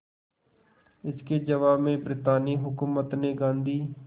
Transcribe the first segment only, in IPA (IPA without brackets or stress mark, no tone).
ɪ